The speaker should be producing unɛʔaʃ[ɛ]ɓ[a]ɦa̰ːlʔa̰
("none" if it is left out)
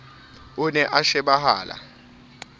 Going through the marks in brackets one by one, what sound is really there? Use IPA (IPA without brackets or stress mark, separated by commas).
ɛ, a